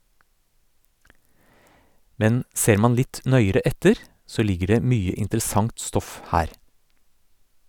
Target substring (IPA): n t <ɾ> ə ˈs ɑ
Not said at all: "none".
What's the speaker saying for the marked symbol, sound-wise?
ɾ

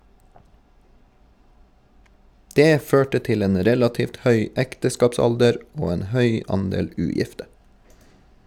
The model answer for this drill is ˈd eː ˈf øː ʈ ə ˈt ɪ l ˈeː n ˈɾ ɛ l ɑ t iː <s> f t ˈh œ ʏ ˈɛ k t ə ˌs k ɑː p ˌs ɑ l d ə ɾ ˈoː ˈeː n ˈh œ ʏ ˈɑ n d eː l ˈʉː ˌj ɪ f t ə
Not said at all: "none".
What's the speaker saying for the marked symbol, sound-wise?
none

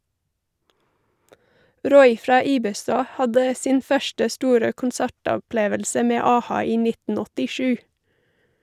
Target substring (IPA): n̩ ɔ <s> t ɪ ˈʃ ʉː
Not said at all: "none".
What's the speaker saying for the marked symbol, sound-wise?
none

